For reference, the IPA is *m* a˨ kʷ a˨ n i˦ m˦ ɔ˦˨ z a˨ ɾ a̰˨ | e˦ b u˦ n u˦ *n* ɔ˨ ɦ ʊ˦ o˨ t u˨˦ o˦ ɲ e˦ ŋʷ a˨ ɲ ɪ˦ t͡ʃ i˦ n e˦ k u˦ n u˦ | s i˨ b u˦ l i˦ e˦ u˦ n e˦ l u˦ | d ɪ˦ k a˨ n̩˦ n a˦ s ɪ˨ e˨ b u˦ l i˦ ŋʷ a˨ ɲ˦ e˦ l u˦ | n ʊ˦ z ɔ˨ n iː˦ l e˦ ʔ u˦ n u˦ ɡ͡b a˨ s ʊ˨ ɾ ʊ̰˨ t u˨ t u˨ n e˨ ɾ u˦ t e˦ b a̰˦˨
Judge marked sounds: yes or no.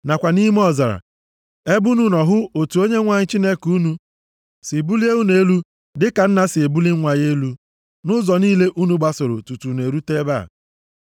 no, yes

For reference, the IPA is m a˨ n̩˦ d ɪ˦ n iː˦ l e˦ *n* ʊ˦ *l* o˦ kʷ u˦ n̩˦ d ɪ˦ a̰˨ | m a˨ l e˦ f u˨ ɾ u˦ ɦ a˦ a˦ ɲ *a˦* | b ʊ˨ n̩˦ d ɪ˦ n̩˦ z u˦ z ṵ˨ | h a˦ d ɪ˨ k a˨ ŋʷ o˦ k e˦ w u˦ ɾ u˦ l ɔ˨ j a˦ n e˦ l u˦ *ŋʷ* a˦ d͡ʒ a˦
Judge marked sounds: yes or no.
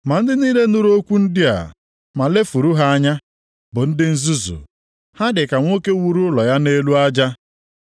yes, no, yes, no

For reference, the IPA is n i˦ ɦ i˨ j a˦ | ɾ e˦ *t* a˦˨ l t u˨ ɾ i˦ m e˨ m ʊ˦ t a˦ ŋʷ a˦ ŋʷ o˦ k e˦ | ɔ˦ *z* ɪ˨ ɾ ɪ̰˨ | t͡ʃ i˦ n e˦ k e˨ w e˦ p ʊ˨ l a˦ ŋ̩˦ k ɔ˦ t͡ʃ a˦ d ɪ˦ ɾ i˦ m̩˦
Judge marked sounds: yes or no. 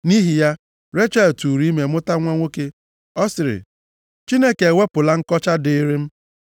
no, no

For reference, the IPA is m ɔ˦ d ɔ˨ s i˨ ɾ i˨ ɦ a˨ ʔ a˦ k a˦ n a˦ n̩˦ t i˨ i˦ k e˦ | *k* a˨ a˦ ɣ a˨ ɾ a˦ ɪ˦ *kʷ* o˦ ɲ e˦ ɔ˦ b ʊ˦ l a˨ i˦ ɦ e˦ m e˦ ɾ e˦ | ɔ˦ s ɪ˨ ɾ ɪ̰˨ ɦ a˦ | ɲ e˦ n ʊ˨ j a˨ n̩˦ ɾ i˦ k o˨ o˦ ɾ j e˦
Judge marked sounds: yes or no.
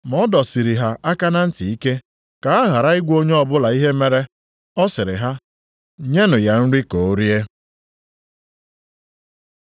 yes, no

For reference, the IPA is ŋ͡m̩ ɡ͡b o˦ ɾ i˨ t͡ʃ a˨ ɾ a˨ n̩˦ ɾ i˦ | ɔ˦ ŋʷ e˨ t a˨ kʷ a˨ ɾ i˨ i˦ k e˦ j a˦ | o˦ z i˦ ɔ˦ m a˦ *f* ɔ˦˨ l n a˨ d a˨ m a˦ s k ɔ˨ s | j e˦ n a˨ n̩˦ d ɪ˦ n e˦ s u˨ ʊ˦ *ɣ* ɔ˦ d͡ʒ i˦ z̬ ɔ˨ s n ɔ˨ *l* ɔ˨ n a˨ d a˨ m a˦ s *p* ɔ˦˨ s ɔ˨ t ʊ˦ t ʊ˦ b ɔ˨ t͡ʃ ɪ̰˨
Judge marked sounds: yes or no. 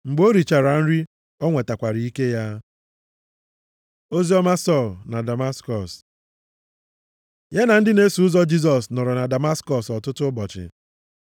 no, no, no, no

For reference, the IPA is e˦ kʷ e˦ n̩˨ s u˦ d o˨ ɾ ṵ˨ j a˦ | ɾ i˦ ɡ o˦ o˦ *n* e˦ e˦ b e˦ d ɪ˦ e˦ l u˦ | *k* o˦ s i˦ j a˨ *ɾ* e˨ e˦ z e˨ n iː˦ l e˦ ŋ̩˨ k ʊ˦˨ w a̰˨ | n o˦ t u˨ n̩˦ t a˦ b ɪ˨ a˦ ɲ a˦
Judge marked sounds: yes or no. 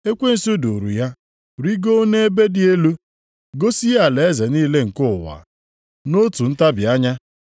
yes, no, no

